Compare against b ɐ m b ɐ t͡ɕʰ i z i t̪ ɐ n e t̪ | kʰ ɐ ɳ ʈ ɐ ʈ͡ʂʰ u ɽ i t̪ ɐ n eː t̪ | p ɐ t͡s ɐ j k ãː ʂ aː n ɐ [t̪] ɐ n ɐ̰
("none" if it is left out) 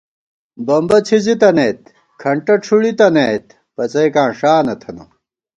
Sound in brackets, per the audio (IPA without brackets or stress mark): t̪ʰ